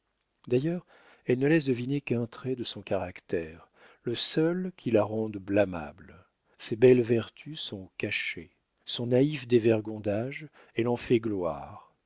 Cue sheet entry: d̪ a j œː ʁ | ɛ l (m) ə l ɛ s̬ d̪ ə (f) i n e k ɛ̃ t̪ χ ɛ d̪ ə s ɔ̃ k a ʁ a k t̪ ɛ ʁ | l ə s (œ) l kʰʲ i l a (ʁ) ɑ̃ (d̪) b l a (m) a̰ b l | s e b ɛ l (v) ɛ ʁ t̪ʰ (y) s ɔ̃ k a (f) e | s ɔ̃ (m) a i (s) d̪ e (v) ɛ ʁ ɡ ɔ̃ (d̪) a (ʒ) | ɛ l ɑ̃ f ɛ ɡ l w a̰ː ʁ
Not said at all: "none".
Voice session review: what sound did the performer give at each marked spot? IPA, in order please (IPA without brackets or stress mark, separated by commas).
n, v, œ, ʁ, d̪, m, v, y, ʃ, n, f, v, d̪, ʒ